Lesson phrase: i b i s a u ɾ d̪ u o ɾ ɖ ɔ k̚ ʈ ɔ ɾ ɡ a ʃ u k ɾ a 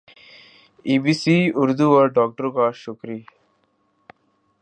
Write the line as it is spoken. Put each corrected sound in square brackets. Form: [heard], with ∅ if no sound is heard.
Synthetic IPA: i b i s [i] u ɾ d̪ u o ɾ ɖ ɔ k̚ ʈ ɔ ɾ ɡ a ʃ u k ɾ [i]